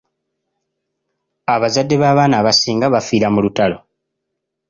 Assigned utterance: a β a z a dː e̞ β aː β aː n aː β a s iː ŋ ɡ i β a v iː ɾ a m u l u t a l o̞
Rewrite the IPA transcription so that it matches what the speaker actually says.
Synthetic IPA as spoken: a β a z a dː e̞ β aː β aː n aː β a s iː ŋ ɡ a β a f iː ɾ a m u l u t a l o̞